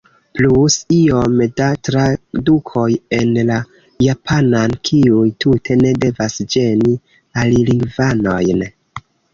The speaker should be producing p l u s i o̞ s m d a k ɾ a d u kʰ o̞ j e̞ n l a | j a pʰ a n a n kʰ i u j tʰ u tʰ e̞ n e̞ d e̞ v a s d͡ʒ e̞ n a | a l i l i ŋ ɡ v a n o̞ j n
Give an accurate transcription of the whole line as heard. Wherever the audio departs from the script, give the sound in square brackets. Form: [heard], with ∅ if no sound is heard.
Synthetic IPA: p l u s i o̞ [∅] m d a [t] ɾ a d u kʰ o̞ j e̞ n l a | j a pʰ a n a n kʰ i u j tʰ u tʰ e̞ n e̞ d e̞ v a s d͡ʒ e̞ n [i] | a l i l i ŋ ɡ v a n o̞ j n